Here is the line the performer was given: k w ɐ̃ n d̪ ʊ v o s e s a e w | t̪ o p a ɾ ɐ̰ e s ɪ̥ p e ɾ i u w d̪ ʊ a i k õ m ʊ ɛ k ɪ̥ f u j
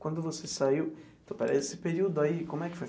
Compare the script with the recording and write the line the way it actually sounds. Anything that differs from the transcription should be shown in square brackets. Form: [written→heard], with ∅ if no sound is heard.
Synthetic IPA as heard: k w ɐ̃ n d̪ ʊ v o s e s a [e→i] w | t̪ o p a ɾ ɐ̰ e s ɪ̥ p e ɾ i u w d̪ ʊ a i k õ m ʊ ɛ k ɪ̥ f [u→o] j